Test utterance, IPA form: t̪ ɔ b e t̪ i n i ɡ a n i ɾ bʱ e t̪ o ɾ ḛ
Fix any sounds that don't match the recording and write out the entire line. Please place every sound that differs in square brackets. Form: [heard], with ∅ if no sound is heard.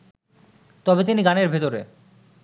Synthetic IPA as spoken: t̪ ɔ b e t̪ i n i ɡ a n [e] ɾ bʱ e t̪ o ɾ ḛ

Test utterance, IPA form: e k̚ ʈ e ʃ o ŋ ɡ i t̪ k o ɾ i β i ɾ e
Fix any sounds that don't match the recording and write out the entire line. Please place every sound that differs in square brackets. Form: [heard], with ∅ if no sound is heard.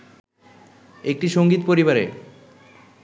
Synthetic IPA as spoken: e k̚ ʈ [i] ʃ o ŋ ɡ i t̪ [p] o ɾ i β [a] ɾ e

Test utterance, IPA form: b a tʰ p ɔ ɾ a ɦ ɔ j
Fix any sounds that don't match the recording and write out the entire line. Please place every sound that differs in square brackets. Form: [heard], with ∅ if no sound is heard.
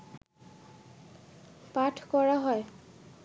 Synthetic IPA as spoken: [p] a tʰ [k] ɔ [ɹ] a ɦ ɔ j

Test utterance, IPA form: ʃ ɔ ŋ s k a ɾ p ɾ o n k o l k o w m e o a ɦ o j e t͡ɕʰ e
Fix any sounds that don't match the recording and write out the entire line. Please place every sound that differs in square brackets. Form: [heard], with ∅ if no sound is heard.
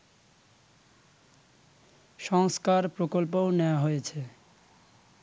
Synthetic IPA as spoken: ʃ ɔ ŋ s k a ɾ p ɾ o [∅] k o l [p] o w [n] e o a ɦ o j e t͡ɕʰ e

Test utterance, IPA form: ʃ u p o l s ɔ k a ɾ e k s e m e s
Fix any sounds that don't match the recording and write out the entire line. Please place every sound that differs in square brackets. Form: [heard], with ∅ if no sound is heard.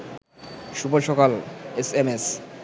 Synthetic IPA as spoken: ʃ u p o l [ʃ] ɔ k a [l] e [∅] s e m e s

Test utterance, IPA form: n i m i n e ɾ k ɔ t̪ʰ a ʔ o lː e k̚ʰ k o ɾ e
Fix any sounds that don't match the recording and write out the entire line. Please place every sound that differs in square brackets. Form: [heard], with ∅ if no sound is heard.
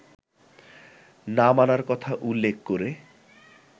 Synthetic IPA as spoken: n [a] m [a] n [a] ɾ k ɔ t̪ʰ a ʔ [u] lː e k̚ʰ k o ɾ e

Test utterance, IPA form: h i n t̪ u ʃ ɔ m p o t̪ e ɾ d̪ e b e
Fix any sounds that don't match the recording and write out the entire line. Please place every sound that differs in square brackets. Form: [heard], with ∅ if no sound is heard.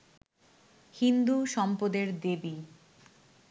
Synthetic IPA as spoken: h i n [d̪] u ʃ ɔ m p o [d̪] e ɾ d̪ e b [i]

